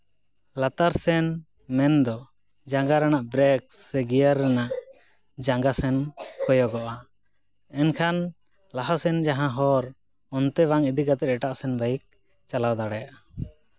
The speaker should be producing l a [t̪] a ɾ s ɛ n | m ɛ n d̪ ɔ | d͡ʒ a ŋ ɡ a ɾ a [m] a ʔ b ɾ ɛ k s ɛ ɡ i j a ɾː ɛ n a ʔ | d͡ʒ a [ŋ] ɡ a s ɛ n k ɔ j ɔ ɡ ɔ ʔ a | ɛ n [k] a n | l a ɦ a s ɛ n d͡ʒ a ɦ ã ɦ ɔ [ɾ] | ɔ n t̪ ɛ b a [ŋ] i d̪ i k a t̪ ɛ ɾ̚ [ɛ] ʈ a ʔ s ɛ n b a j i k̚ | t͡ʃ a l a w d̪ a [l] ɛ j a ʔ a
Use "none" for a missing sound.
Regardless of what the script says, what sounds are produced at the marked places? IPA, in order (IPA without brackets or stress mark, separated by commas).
t̪, n, ŋ, kʰ, ɾ, ŋ, ɛ, ɽ